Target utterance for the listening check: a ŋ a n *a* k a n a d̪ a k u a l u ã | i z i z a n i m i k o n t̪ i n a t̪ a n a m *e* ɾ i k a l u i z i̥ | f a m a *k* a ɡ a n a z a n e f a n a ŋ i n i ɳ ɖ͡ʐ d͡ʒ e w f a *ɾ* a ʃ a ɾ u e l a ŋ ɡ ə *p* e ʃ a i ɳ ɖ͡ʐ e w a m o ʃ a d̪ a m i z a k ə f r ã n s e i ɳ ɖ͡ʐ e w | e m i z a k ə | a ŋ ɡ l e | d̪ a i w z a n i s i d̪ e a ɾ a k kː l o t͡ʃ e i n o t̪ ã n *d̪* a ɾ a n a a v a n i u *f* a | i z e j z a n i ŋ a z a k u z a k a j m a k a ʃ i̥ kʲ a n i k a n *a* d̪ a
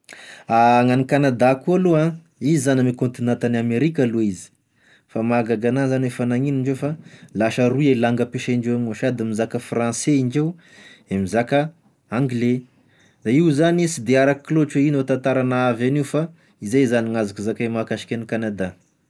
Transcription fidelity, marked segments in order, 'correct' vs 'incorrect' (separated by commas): incorrect, correct, incorrect, incorrect, correct, incorrect, correct, correct